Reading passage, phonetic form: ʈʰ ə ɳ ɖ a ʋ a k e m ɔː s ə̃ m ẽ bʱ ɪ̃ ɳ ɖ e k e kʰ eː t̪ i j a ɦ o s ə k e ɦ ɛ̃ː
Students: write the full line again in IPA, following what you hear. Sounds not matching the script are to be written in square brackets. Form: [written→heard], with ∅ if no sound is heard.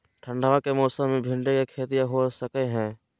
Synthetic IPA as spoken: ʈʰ ə ɳ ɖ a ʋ a k e m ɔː s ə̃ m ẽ bʱ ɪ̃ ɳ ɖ e k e kʰ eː t̪ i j a ɦ o s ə k e ɦ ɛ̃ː